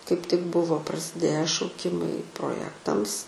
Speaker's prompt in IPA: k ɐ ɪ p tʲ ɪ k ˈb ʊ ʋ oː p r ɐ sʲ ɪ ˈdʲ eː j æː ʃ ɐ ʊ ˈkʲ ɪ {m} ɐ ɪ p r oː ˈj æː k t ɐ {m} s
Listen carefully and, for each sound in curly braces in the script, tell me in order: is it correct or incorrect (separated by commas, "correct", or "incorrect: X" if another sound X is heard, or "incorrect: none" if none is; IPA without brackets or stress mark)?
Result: correct, correct